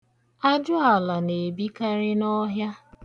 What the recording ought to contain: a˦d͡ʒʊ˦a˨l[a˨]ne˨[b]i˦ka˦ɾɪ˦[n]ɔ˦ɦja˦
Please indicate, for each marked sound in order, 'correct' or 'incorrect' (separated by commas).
correct, correct, correct